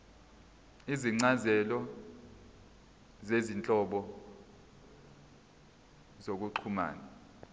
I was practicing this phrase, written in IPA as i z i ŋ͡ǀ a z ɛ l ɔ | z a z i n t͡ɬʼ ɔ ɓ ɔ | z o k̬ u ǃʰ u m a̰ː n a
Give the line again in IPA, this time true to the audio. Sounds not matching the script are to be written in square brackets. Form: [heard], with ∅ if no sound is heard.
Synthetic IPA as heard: i z i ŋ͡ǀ a z ɛ l ɔ | z [e] z i n t͡ɬʼ ɔ ɓ ɔ | z o k̬ u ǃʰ u m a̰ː n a